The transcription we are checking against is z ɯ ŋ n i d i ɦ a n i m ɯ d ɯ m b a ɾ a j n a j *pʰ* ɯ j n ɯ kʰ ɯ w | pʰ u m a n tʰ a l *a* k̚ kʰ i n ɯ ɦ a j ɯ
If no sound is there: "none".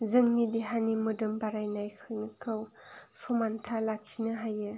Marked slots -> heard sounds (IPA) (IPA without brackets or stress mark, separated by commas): kʰ, a